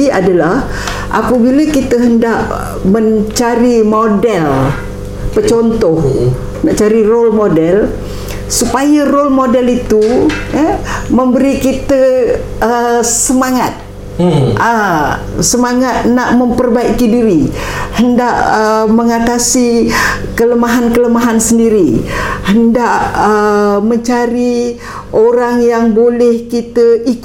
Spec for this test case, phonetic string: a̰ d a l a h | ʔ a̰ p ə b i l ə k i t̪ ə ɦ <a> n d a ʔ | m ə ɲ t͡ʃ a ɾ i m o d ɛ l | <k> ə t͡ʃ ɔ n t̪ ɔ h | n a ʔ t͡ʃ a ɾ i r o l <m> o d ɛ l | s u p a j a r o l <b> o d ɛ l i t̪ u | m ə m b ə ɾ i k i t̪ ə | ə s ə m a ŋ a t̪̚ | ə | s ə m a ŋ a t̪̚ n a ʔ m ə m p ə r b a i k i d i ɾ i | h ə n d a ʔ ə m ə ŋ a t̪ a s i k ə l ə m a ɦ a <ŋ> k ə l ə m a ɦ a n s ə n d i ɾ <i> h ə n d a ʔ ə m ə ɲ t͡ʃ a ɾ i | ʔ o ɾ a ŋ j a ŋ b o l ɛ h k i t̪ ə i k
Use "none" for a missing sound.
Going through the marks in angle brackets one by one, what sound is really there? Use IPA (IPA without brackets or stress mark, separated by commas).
ə, p, m, m, n, i